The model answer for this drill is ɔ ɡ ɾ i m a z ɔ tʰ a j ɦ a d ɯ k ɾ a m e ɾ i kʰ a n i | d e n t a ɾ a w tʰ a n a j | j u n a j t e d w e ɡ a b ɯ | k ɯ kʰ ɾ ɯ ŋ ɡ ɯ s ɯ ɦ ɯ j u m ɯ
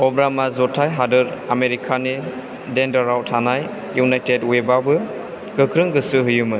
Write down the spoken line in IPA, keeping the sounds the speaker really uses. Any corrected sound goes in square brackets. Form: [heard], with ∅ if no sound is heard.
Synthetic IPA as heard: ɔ [b] ɾ [a] m a z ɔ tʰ a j ɦ a d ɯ [∅] ɾ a m e ɾ i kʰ a n i | d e n [d] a ɾ a w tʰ a n a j | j u n a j t e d w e [b] a b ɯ | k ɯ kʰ ɾ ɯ ŋ ɡ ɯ s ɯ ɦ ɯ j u m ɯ